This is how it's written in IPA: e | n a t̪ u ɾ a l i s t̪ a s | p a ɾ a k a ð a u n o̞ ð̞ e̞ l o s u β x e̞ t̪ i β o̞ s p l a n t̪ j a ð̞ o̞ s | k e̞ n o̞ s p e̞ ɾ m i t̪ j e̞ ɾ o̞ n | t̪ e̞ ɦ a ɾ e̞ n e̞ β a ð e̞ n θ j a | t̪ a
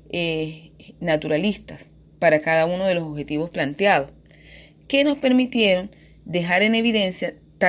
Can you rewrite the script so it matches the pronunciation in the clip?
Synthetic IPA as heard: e | n a t̪ u ɾ a l i s t̪ a s | p a ɾ a k a ð a u n o̞ ð̞ e̞ l o s o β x e̞ t̪ i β o̞ s p l a n t̪ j a ð̞ o̞ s | k e̞ n o̞ s p e̞ ɾ m i t̪ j e̞ ɾ o̞ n | d̪ e̞ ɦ a ɾ e̞ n e̞ β i ð e̞ n s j a | t̪ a